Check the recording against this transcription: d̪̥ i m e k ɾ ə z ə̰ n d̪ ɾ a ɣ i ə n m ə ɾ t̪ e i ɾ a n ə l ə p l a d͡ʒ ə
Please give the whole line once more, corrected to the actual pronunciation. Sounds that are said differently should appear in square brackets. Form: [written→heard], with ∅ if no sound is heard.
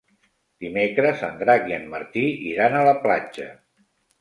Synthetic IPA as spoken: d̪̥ i m e k ɾ ə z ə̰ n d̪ ɾ a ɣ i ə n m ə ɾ t̪ [e→i] i ɾ a n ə l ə p l a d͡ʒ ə